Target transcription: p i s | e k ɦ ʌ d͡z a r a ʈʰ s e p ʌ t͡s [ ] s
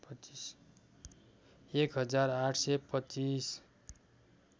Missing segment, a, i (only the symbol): i